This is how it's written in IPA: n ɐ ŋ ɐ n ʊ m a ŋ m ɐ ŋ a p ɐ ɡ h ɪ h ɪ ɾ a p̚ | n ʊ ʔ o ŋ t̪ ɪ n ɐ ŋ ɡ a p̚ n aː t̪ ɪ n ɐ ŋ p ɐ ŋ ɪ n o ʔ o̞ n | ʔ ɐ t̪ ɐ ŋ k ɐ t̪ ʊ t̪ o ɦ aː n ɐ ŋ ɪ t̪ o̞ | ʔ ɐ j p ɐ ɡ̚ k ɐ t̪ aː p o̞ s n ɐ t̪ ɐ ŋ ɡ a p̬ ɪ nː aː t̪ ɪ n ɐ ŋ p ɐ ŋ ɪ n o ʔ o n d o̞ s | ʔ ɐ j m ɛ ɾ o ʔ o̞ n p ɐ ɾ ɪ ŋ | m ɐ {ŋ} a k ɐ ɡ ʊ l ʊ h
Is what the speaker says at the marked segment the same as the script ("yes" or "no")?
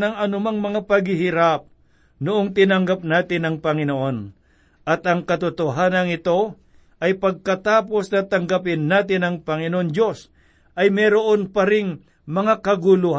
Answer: yes